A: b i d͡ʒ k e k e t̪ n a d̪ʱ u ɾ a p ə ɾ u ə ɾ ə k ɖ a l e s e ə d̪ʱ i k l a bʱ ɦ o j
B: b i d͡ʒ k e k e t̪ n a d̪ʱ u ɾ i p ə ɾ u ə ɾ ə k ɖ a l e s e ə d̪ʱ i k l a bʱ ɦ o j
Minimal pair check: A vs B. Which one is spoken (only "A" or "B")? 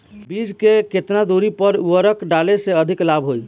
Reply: B